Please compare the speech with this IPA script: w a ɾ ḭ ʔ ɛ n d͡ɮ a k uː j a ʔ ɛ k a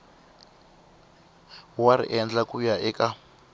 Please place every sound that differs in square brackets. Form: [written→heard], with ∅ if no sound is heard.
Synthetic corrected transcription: w a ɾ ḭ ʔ ɛ n d͡ɮ a k [uː→u] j a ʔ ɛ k a